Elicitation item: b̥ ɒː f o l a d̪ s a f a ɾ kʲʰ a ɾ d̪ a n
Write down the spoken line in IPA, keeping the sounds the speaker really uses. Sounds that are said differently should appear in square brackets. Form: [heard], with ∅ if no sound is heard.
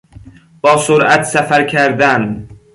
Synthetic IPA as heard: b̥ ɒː [s] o [ɾ] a [t̪] s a f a ɾ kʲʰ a ɾ d̪ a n